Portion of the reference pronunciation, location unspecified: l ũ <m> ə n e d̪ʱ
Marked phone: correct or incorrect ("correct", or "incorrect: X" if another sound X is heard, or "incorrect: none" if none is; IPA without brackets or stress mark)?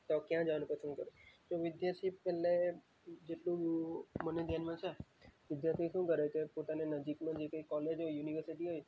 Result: correct